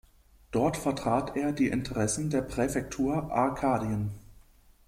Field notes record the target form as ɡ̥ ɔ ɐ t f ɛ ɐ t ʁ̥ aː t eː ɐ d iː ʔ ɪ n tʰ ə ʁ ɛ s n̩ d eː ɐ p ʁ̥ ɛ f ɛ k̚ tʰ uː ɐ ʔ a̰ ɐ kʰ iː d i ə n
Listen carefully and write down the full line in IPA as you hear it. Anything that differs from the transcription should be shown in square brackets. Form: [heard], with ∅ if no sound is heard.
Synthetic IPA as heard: [d̥] ɔ ɐ t f ɛ ɐ t ʁ̥ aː t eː ɐ d iː ʔ ɪ n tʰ ə ʁ ɛ s n̩ d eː ɐ p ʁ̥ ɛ f ɛ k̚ tʰ uː ɐ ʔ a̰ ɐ kʰ [aː] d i ə n